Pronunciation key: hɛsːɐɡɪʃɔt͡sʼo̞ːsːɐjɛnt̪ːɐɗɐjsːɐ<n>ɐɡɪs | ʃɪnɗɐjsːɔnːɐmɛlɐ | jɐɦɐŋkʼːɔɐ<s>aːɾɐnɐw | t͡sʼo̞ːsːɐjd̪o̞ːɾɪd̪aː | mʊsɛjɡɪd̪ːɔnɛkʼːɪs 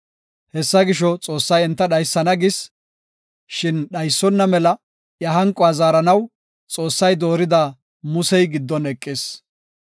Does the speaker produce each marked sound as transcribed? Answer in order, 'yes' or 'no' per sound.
yes, no

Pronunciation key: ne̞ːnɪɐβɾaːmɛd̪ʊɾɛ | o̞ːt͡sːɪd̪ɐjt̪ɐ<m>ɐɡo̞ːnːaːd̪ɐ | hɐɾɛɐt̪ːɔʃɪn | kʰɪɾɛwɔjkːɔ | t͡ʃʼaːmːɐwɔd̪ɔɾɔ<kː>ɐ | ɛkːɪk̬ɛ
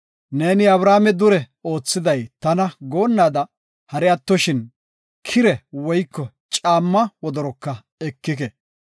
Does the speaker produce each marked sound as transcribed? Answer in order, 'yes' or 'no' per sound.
no, yes

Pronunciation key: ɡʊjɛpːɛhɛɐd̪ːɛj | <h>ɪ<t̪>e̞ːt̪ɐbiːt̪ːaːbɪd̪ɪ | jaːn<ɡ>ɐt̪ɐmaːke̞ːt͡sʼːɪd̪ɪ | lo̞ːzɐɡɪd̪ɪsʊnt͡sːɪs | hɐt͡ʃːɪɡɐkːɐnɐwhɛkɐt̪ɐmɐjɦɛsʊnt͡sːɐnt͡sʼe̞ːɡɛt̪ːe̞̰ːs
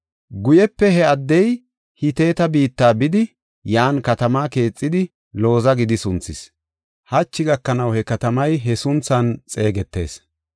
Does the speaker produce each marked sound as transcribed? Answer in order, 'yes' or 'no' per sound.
yes, yes, no

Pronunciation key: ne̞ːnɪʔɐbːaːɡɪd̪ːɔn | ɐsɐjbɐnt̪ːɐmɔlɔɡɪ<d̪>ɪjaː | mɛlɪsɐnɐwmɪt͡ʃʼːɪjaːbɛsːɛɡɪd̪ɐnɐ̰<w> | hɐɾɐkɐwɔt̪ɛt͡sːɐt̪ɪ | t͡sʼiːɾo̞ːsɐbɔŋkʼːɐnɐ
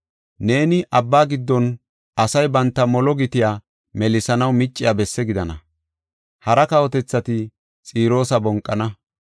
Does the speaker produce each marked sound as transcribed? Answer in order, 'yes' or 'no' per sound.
no, no

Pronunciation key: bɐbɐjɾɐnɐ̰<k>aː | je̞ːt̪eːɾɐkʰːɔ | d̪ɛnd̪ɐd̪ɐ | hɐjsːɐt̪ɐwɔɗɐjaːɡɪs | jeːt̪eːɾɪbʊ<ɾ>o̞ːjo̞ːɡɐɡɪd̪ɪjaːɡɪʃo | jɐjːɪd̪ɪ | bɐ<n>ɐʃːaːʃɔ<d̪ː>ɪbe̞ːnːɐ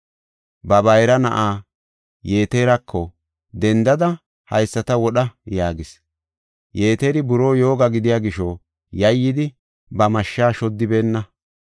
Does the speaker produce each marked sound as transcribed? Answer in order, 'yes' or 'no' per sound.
no, yes, no, yes

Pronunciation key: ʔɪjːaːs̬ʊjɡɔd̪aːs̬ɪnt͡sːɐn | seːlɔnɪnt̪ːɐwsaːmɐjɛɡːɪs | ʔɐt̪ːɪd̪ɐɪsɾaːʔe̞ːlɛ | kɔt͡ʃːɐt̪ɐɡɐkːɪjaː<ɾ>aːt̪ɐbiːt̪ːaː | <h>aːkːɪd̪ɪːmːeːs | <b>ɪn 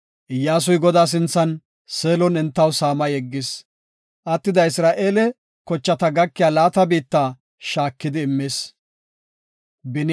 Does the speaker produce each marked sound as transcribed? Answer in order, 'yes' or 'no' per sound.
no, no, yes

